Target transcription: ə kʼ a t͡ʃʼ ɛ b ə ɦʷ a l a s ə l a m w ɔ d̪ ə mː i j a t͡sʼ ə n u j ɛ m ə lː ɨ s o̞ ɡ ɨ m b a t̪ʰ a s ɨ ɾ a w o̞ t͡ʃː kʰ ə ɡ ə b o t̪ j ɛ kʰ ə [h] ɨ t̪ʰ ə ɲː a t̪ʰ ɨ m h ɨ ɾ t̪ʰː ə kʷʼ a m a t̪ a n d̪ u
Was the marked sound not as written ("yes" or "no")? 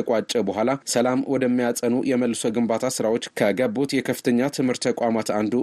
yes